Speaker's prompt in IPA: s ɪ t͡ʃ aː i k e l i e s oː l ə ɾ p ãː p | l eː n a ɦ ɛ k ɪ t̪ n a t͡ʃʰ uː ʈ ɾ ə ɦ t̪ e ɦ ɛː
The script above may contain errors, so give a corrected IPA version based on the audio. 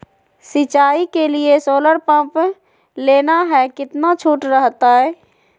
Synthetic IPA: s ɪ t͡ʃ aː i k e l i e s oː l ə ɾ p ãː p | l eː n a ɦ ɛ k ɪ t̪ n a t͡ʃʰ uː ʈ ɾ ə ɦ t̪ a ɦ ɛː